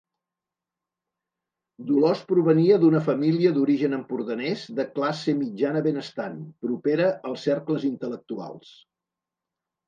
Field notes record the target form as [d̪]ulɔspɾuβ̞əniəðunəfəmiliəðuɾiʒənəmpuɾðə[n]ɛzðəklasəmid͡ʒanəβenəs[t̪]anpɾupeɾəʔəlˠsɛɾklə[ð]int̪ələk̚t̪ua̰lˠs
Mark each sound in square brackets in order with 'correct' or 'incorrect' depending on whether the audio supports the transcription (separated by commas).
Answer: correct, correct, correct, incorrect